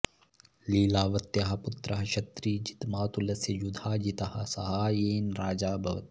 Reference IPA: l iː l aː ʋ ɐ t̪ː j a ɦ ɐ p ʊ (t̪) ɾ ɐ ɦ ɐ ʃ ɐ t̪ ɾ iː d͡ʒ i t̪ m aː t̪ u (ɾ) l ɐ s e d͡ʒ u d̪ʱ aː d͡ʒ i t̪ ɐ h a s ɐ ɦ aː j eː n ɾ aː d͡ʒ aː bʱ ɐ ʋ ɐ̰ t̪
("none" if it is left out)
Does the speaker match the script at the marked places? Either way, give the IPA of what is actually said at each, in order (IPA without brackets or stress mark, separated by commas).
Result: t̪, none